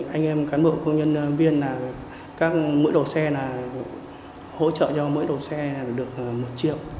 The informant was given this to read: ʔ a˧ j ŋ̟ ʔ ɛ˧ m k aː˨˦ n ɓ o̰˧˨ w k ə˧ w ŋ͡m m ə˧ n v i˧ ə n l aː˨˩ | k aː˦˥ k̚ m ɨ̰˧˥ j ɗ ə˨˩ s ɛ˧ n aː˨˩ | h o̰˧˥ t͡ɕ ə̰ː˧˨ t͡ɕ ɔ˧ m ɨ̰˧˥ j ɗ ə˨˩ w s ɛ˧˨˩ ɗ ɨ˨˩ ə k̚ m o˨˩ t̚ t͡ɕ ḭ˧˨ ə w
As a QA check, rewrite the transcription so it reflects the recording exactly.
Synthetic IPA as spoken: ʔ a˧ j ŋ̟ ʔ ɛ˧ m k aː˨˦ n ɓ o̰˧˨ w k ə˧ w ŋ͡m ɲ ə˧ n v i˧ ə n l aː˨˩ | k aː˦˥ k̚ m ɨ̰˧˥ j ɗ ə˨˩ s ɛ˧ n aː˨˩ | h o̰˧˥ t͡ɕ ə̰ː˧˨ t͡ɕ ɔ˧ m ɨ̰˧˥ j ɗ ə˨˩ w s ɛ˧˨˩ ɗ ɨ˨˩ ə k̚ m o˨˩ t̚ t͡ɕ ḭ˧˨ ə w